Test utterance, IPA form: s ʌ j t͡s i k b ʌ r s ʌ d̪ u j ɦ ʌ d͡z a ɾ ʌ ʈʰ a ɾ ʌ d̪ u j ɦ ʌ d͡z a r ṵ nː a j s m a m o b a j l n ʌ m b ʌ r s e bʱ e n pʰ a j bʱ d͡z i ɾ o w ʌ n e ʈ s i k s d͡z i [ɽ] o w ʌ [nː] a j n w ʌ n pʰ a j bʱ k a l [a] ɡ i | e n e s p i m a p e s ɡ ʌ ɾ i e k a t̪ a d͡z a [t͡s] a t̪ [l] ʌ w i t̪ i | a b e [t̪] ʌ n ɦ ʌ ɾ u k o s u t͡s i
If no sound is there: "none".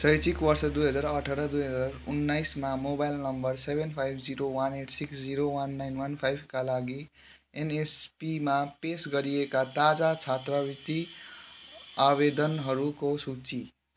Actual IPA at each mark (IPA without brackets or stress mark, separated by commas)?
ɾ, nː, a, t͡sʰ, r, d̪